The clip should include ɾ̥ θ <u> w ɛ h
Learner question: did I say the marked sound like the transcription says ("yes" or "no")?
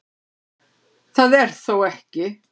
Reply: no